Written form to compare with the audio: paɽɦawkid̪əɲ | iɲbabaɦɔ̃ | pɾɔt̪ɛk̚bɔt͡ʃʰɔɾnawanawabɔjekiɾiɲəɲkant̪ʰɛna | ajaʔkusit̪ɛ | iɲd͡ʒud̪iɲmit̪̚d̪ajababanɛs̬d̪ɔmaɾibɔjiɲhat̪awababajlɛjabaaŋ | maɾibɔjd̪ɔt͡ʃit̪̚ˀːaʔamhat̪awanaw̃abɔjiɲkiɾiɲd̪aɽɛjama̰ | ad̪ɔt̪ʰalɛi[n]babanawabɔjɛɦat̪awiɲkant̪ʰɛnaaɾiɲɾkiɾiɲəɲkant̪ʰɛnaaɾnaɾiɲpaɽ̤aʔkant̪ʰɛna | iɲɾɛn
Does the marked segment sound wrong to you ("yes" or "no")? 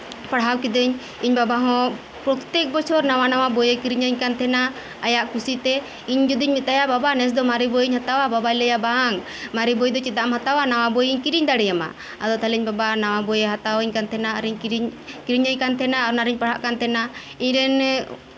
yes